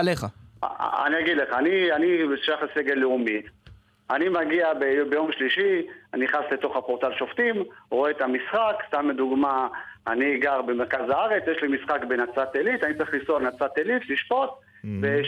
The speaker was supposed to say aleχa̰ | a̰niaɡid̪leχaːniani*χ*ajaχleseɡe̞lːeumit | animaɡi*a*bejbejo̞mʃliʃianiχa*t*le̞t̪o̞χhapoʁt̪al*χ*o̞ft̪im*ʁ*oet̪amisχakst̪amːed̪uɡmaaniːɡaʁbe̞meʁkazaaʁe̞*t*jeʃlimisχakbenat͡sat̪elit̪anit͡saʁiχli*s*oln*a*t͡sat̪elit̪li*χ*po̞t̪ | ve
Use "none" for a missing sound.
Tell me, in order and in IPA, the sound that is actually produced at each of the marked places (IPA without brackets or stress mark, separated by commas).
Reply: ʃ, a, s, ʃ, ʁ, t͡s, s, a, ʃ